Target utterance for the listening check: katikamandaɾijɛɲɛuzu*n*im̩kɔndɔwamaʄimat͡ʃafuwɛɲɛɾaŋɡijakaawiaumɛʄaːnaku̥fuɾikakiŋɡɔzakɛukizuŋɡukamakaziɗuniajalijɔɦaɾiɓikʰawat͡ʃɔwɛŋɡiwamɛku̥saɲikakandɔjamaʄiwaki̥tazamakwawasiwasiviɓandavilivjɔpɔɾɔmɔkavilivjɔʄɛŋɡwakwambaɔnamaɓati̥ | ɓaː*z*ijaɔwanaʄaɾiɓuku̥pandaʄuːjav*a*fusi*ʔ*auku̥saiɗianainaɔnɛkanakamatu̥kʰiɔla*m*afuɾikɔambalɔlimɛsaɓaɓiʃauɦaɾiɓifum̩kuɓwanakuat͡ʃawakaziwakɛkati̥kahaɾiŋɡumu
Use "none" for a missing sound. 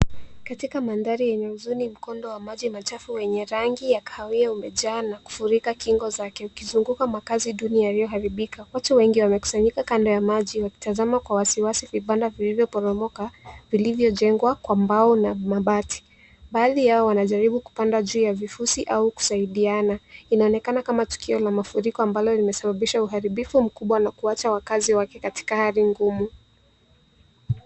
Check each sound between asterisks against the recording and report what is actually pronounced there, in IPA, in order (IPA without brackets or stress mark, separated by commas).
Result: n, ð, i, ʔ, m